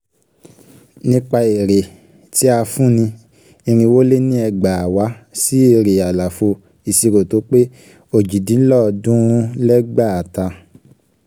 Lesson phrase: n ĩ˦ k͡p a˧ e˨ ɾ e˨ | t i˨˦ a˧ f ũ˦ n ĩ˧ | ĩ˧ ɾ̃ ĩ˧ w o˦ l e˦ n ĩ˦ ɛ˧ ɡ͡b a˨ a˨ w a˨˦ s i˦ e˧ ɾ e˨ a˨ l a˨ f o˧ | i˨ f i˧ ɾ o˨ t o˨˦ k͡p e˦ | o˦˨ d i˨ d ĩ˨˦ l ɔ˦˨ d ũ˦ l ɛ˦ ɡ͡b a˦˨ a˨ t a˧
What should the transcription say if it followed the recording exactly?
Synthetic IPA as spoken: n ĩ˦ k͡p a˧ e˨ ɾ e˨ | t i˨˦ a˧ f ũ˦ n ĩ˧ | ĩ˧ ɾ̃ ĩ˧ w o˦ l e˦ n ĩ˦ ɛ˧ ɡ͡b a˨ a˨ w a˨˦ s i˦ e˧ ɾ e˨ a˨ l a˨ f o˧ | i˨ s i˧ ɾ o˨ t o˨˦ k͡p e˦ | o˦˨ d͡ʒ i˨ d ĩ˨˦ l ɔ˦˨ d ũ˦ l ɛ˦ ɡ͡b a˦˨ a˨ t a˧